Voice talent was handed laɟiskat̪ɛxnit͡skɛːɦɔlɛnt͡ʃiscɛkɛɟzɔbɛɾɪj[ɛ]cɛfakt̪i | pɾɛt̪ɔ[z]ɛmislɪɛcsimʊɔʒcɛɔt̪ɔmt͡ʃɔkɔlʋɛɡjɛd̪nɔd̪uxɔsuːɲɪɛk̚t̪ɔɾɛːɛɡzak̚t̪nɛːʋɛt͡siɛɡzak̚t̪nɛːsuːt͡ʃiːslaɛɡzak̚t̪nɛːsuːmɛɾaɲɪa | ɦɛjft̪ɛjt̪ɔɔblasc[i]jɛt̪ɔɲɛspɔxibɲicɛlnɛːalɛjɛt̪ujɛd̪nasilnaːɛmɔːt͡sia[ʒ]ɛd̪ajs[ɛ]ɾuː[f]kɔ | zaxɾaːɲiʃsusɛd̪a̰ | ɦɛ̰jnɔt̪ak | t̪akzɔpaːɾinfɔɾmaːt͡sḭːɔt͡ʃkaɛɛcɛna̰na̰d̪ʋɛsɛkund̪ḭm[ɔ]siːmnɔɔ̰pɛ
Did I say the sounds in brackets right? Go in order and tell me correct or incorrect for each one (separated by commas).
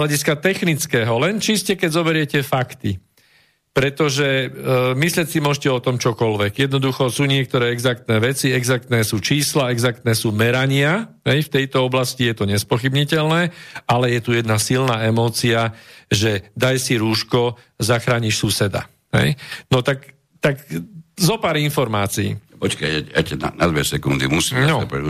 correct, incorrect, correct, correct, incorrect, incorrect, incorrect